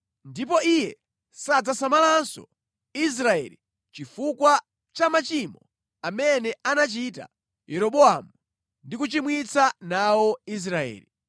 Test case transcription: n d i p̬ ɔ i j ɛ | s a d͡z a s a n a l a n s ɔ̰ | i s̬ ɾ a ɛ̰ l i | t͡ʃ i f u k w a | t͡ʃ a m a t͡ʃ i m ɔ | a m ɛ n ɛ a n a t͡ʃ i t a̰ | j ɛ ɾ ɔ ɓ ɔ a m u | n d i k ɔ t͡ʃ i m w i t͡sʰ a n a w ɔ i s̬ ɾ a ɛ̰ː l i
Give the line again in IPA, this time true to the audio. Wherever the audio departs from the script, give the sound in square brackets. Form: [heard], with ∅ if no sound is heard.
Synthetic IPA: n d i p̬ ɔ i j ɛ | s a d͡z a s a [m] a l a n s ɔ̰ | i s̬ ɾ a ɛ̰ l i | t͡ʃ i f u k w a | t͡ʃ a m a t͡ʃ i m ɔ | a m ɛ n ɛ a n a t͡ʃ i t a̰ | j ɛ ɾ ɔ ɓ ɔ a m u | n d i k [u] t͡ʃ i m w i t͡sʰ a n a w ɔ i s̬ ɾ a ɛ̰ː l i